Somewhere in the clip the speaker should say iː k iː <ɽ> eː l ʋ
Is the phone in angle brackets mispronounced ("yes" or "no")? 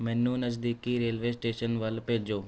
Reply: yes